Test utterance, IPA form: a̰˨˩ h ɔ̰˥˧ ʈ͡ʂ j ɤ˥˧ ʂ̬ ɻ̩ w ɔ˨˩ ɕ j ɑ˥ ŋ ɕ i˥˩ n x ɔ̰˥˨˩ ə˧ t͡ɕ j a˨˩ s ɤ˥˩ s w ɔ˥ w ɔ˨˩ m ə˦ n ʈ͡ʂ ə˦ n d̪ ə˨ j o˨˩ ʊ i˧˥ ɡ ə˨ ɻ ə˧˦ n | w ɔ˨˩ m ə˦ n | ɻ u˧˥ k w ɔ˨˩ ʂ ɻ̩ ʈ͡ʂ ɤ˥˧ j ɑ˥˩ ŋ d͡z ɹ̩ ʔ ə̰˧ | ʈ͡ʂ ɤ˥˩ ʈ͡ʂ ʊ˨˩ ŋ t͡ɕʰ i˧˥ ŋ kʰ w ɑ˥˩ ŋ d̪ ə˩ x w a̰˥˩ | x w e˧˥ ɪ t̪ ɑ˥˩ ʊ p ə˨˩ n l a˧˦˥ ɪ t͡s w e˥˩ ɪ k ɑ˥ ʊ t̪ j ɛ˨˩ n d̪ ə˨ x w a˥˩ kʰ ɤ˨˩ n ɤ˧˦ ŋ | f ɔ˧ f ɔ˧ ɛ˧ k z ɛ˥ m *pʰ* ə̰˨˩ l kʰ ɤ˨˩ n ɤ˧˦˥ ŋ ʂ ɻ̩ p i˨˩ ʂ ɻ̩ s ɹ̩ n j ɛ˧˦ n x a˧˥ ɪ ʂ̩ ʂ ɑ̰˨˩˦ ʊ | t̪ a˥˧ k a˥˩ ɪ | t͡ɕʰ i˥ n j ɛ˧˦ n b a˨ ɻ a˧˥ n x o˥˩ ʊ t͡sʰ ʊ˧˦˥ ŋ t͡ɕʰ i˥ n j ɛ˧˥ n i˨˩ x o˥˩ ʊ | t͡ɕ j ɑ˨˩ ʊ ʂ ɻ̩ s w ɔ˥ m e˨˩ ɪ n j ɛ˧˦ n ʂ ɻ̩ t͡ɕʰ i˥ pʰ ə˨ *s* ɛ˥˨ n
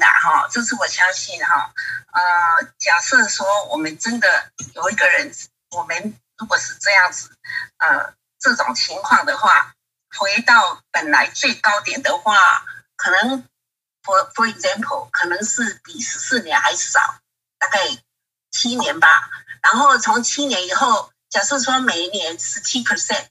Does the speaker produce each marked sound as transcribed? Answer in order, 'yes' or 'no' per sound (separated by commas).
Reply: yes, yes